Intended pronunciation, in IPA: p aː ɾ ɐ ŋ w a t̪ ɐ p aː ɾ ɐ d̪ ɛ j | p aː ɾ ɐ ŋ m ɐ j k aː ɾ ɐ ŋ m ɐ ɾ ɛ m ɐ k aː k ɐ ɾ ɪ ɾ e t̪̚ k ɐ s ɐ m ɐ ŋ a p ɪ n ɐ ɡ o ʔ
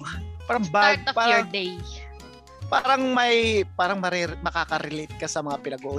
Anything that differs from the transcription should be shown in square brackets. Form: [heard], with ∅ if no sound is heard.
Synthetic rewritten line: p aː ɾ ɐ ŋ [b] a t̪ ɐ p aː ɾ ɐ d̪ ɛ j | p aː ɾ ɐ ŋ m ɐ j [p] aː ɾ ɐ ŋ m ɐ ɾ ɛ m ɐ k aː k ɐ ɾ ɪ [l] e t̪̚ k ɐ s ɐ m ɐ ŋ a p ɪ n ɐ ɡ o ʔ